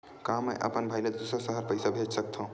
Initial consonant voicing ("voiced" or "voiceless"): voiceless